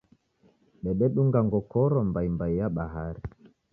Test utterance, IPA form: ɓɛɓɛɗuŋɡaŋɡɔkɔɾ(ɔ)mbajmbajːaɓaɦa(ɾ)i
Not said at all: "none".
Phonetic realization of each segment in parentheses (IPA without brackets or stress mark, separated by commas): ɔ, ɾ